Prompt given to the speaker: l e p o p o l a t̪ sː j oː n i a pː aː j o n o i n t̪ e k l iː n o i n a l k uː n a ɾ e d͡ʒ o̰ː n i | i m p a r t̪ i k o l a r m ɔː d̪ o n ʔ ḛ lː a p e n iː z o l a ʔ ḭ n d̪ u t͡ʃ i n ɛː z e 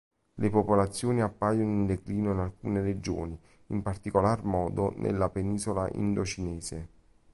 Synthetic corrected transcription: l e p o p o l a t̪ sː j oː n i a pː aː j o n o i n d̪ e k l iː n o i n a l k uː n e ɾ e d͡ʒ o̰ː n i | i m p a r t̪ i k o l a r m ɔː d̪ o n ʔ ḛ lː a p e n iː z o l a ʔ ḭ n d̪ o t͡ʃ i n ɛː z e